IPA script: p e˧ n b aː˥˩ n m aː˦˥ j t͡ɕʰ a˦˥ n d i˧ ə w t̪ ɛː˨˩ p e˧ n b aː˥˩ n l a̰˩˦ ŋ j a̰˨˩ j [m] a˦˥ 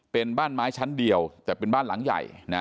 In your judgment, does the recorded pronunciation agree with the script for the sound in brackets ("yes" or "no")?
no